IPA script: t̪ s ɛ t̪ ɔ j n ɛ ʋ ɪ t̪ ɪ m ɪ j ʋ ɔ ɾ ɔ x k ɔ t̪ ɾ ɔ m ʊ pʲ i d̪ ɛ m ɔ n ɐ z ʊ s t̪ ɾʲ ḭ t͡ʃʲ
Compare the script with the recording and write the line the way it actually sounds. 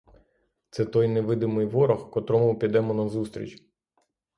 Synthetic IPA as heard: t̪ s ɛ t̪ ɔ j n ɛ ʋ ɪ d̪ ɪ m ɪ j ʋ ɔ ɾ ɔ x k ɔ t̪ ɾ ɔ m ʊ pʲ i d̪ ɛ m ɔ n ɐ z u s t̪ ɾʲ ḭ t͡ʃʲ